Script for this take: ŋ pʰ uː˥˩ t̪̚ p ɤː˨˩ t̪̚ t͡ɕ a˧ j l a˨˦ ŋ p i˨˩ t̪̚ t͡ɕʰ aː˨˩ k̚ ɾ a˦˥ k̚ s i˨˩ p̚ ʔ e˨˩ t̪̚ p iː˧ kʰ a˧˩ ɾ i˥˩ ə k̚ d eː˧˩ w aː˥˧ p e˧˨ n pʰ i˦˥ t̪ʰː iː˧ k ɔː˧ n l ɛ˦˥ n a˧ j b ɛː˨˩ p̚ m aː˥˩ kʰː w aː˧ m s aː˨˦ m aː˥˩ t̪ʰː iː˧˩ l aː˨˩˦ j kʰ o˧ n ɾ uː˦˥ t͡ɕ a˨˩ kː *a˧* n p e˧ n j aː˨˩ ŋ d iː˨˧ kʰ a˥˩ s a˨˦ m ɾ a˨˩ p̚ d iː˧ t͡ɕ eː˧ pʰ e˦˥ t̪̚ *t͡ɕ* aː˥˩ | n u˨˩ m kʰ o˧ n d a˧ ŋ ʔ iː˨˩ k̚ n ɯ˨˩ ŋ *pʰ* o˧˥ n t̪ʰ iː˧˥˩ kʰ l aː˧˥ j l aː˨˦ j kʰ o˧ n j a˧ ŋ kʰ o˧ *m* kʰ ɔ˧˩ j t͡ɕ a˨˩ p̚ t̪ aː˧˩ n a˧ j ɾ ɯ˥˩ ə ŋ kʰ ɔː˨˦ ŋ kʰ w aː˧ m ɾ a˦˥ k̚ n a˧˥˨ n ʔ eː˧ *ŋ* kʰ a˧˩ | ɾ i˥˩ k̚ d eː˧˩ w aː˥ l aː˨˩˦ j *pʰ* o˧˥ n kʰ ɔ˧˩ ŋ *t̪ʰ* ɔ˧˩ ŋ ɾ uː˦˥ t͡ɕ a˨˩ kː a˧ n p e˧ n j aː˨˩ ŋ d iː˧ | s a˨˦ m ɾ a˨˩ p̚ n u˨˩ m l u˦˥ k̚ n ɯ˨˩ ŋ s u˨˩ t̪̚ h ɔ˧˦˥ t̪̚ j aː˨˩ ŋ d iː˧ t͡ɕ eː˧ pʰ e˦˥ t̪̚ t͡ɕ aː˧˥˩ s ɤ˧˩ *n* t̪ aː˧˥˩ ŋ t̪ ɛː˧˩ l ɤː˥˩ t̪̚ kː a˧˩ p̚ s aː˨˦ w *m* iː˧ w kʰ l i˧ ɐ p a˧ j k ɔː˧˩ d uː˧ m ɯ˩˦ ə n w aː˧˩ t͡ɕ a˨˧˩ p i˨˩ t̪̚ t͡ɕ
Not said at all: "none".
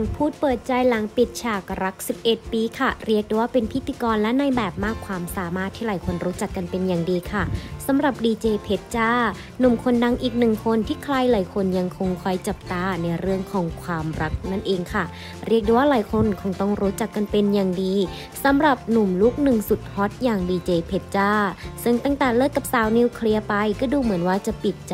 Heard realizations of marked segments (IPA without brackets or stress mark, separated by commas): a˧, t͡ɕ, kʰ, ŋ, ŋ, kʰ, t̪, ŋ, n